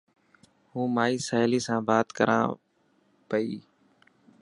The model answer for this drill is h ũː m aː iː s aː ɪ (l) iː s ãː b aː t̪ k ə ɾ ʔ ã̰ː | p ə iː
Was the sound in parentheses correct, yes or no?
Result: yes